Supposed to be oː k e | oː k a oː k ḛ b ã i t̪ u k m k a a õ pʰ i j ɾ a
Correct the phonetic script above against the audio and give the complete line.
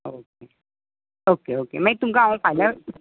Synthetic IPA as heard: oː k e | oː k e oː k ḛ m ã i t̪ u m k a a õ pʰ a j l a

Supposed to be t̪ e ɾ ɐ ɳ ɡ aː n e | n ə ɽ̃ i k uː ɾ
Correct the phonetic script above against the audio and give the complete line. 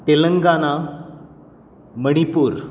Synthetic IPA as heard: t̪ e l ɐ ŋ ɡ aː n a | m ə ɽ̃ i p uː ɾ

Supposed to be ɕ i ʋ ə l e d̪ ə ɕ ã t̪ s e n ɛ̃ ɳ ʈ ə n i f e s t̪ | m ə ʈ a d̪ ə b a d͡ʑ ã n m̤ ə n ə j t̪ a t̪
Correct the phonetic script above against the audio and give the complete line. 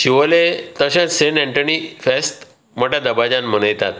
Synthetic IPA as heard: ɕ i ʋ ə l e t̪ ə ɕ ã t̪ s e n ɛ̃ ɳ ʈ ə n i f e s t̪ | m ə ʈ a d̪ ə b a d͡ʑ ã n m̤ ə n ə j t̪ a t̪

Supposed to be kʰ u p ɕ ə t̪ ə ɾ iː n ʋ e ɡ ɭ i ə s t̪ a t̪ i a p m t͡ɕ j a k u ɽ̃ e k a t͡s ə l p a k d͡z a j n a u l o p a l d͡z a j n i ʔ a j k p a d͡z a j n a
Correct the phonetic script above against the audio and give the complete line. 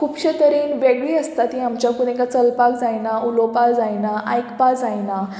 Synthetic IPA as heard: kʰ u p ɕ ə t̪ ə ɾ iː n ʋ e ɡ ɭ i ə s t̪ a t̪ i a m t͡ɕ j a k u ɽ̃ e k a t͡s ə l p a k d͡z a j n a u l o p a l d͡z a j n a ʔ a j k p a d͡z a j n a

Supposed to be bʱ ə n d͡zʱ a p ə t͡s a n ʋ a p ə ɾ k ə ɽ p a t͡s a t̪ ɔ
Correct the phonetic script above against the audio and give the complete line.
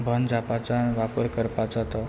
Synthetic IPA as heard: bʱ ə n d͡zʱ a p a t͡s a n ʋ a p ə ɾ k ə ɾ p a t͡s a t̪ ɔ

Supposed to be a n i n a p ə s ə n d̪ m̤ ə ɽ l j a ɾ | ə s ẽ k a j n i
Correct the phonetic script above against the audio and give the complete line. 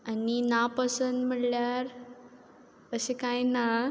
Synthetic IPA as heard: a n i n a p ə s ə n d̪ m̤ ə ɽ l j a ɾ | ə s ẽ k a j n a

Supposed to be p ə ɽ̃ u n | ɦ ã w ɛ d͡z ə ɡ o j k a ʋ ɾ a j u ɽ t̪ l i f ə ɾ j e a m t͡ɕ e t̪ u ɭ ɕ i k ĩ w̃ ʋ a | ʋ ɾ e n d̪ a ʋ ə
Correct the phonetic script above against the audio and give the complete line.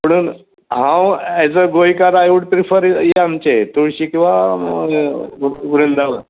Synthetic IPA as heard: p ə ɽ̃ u n | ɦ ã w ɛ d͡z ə ɡ o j k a ɾ a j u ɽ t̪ ɾ i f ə ɾ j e a m t͡ɕ e t̪ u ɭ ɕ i k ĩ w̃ ʋ a | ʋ ɾ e n d̪ a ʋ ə

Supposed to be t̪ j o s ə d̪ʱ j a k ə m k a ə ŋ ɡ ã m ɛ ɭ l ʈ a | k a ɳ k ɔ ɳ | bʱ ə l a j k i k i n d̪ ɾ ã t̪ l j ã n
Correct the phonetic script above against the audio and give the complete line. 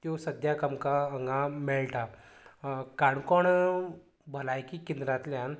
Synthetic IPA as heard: t̪ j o s ə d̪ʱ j a k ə m k a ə ŋ ɡ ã m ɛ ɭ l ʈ a | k a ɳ k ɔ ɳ | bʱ ə l a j k i k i n d̪ ɾ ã t̪ l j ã n

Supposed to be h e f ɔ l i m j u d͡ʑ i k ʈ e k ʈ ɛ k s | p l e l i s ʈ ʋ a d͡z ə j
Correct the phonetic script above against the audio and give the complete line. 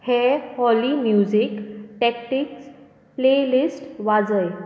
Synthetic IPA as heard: h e h ɔ l i m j u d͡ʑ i k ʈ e k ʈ i k s | p l e l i s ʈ ʋ a d͡z ə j

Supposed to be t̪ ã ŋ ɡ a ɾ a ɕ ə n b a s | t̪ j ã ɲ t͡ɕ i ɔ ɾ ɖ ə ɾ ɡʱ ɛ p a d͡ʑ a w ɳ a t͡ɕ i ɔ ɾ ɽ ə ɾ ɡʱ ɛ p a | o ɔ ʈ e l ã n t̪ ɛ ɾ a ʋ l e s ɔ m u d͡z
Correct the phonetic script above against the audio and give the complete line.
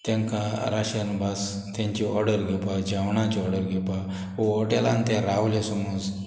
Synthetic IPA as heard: t̪ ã ŋ k a ɾ a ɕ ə n b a s | t̪ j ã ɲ t͡ɕ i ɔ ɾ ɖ ə ɾ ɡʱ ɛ p a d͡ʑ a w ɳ a t͡ɕ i ɔ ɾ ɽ ə ɾ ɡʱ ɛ p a | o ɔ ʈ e l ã n t̪ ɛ ɾ a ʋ l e s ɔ m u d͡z

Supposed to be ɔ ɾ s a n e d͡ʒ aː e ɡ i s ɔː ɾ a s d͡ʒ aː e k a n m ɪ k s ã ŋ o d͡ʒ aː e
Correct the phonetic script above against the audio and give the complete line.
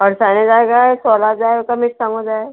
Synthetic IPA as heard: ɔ ɾ s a n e d͡ʒ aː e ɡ a s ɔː l a d͡ʒ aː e k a m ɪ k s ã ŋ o d͡ʒ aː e

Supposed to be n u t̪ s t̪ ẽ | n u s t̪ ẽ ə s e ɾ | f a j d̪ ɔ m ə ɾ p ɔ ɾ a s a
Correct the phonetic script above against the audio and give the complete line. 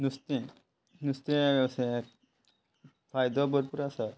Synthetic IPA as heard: n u s t̪ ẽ | n u s t̪ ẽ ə s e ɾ | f a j d̪ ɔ b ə ɾ p u ɾ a s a

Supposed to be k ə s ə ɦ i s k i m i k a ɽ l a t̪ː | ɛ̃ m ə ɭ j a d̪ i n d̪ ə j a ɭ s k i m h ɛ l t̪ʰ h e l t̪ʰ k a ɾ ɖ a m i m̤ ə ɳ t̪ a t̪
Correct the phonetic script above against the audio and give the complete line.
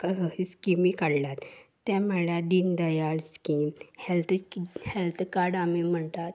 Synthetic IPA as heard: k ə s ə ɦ i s k i m i k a ɽ l a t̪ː | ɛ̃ m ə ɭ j a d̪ i n d̪ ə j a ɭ s k i m h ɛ l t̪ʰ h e l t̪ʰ k a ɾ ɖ a m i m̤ ə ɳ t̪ a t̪

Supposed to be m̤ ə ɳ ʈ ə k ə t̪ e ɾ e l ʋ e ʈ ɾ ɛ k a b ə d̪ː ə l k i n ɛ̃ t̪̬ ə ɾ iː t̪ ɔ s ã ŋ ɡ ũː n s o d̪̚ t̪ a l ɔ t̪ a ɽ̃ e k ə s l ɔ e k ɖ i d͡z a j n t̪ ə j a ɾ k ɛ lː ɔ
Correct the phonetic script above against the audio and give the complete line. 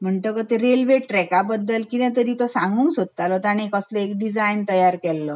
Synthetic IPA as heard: m̤ ə ɳ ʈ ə k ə t̪ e ɾ e l ʋ e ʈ ɾ ɛ k a b ə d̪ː ə l k i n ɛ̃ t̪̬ ə ɾ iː t̪ ɔ s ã ŋ ɡ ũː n s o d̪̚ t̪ a l ɔ t̪ a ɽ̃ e k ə s l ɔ e k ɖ i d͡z a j n t̪ ə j a ɾ k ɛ lː ɔ

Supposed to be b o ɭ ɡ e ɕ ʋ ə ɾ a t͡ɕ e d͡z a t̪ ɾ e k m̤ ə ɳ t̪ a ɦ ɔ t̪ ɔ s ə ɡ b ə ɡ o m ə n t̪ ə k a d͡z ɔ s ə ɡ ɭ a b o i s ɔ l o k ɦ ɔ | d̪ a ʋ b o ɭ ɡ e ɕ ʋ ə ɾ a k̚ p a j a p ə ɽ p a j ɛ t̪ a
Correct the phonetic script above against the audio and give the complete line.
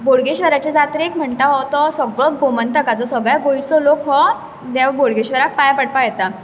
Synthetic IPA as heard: b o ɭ ɡ e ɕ ʋ ə ɾ a t͡ɕ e d͡z a t̪ ɾ e k m̤ ə ɳ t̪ a ɦ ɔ t̪ ɔ s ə ɡ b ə ɡ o m ə n t̪ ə k a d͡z ɔ s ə ɡ ɭ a ɡ o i s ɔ l o k ɦ ɔ | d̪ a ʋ b o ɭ ɡ e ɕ ʋ ə ɾ a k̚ p a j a p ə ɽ p a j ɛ t̪ a

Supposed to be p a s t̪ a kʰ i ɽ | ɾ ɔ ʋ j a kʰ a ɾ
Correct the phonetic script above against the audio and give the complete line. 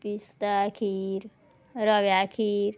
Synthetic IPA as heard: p i s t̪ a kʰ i ɾ | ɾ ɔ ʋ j a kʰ i ɾ

